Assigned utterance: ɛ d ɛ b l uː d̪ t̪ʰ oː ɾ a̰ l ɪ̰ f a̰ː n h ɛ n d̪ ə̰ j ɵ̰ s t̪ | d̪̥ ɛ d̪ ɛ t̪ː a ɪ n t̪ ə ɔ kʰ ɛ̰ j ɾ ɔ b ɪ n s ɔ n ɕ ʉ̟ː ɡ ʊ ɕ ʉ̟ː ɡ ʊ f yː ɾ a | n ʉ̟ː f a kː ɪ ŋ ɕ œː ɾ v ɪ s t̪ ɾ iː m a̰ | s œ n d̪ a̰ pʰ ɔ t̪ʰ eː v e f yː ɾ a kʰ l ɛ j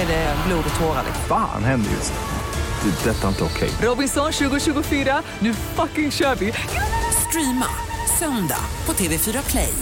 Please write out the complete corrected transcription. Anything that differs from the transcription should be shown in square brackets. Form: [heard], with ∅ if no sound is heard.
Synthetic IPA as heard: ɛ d ɛ b l uː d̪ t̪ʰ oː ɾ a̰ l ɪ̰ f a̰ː n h ɛ n d̪ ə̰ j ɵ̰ s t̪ | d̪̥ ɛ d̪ ɛ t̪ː a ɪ n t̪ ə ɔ kʰ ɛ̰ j ɾ ɔ b ɪ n s ɔ n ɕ ʉ̟ː ɡ ʊ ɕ ʉ̟ː ɡ ʊ f yː ɾ a | n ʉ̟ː f a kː ɪ ŋ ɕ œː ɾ v ɪ s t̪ ɾ iː m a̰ | s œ n d̪ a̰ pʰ ɔ t̪ʰ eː v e f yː ɾ a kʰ l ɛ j